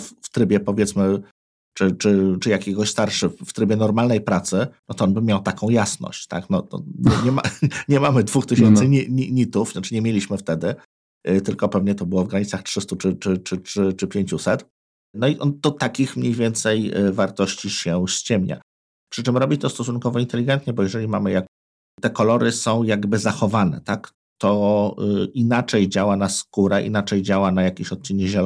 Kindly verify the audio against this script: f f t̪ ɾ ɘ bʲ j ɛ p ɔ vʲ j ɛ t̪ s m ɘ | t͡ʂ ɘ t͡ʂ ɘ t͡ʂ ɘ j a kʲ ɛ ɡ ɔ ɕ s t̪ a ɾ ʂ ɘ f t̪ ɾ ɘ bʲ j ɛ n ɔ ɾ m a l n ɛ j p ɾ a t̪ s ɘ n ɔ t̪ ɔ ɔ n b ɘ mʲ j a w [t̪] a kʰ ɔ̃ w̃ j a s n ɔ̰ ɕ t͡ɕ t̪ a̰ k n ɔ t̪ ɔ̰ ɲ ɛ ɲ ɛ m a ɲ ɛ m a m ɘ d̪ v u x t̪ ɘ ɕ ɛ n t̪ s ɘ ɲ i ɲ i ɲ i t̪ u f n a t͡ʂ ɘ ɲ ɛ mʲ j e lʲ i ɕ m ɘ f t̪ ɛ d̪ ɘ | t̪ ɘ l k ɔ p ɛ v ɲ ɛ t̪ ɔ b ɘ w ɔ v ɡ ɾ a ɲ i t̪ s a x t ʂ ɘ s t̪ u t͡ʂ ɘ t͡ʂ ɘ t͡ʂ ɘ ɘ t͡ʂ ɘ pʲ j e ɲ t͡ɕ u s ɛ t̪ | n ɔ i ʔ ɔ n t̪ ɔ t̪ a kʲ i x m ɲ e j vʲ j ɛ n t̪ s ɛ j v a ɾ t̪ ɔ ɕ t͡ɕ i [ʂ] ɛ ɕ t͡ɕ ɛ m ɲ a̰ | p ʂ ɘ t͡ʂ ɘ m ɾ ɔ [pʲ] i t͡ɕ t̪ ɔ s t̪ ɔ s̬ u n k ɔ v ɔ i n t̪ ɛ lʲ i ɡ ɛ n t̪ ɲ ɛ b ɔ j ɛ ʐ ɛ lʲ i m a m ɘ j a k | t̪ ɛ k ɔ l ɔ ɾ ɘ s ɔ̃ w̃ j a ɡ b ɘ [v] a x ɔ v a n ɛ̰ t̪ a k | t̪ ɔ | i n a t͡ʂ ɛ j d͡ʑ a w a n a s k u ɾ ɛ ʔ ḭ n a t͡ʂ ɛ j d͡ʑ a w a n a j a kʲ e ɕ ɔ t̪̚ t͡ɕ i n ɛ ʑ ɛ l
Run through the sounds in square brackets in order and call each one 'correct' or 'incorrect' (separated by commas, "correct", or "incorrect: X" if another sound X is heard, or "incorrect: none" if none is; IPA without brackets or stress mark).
correct, incorrect: ɕ, incorrect: bʲ, incorrect: z